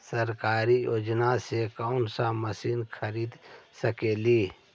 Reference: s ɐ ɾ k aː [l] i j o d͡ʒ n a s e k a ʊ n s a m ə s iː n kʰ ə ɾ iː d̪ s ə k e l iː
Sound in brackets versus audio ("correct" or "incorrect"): incorrect